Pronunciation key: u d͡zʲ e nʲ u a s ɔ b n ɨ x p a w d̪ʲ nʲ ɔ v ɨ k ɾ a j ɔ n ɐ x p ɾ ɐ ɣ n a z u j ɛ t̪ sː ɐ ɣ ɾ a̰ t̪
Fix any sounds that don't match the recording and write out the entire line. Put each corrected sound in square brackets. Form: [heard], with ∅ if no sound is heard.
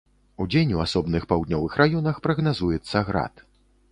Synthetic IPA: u d͡zʲ e nʲ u a s ɔ b n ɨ x p a w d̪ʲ nʲ ɔ v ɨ [x] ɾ a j ɔ n ɐ x p ɾ ɐ ɣ n a z u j ɛ t̪ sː ɐ ɣ ɾ a̰ t̪